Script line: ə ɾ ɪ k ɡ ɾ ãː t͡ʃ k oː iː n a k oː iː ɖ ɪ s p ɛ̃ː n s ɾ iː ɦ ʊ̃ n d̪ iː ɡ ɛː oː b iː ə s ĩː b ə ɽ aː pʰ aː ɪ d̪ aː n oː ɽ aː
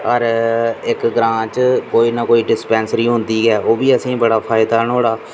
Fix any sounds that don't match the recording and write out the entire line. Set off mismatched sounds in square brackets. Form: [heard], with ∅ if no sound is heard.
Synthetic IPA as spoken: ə ɾ ɪ k ɡ ɾ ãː t͡ʃ k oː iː n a k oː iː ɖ ɪ s p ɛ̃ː n s ɾ iː ɦ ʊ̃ n d̪ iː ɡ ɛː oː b iː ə s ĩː b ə ɽ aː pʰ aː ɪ d̪ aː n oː ɽ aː